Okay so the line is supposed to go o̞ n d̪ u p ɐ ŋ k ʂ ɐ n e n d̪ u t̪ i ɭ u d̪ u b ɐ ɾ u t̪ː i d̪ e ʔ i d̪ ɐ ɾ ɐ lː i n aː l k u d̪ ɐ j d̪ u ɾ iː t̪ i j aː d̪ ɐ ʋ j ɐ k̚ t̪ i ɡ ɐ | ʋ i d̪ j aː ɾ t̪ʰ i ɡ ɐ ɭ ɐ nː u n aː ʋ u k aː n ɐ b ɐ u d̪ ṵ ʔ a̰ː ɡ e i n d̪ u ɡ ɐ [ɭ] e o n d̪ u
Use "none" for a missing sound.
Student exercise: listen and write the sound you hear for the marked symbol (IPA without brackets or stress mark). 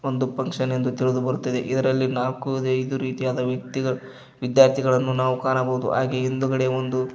ɽ